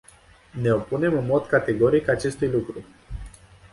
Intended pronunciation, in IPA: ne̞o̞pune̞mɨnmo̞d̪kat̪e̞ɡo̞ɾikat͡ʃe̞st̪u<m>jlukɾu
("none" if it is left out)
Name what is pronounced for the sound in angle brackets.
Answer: none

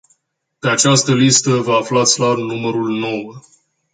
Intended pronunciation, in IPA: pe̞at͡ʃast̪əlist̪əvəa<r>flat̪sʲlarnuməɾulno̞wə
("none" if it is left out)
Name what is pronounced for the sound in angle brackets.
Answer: none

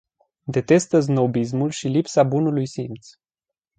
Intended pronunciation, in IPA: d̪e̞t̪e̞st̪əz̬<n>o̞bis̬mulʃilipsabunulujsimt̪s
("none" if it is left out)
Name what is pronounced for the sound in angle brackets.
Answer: n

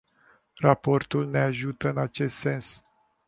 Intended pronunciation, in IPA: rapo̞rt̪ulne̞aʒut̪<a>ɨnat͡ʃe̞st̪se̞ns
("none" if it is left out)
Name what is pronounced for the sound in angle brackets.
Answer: ə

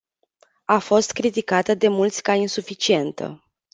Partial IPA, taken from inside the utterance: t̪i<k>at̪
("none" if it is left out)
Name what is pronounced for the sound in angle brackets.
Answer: k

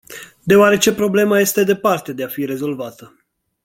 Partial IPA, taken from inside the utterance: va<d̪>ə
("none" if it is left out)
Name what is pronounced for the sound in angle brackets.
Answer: t̪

